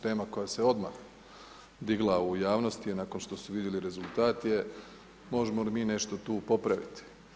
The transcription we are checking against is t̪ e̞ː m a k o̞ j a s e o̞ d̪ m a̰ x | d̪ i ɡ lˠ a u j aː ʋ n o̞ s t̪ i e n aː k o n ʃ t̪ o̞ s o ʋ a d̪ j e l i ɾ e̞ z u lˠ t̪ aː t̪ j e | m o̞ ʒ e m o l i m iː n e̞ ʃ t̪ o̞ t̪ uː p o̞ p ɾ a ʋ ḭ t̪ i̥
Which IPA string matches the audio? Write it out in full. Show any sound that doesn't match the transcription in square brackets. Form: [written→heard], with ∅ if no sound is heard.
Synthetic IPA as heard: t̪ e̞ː m a k o̞ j a s e o̞ d̪ m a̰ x | d̪ i ɡ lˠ a u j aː ʋ n o̞ s t̪ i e n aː k o n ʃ t̪ o̞ s [o→u] ʋ [a→i] d̪ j e l i ɾ e̞ z u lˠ t̪ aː t̪ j e | m o̞ ʒ e m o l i m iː n e̞ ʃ t̪ o̞ t̪ uː p o̞ p ɾ a ʋ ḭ t̪ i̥